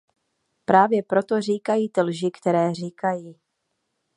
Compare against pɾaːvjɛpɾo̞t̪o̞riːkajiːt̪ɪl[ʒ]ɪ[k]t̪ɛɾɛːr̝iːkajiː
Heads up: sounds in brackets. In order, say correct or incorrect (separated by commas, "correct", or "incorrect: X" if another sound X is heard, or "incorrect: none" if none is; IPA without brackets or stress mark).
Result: correct, correct